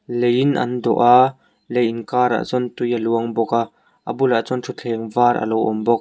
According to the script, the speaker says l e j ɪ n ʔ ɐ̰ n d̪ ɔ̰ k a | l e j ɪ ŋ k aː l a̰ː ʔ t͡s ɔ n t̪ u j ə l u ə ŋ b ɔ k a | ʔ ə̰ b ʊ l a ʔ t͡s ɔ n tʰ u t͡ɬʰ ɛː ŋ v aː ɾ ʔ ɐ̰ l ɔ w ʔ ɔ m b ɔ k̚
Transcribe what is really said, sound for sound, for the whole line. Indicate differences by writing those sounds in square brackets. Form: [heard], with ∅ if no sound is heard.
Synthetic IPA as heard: l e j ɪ n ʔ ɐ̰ n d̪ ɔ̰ [ʔ] a | l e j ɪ [n] k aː [ɾ] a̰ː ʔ t͡s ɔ n t̪ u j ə l u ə ŋ b ɔ k a | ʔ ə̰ b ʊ l a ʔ t͡s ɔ n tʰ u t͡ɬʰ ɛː ŋ v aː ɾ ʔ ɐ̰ l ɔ w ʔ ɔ m b ɔ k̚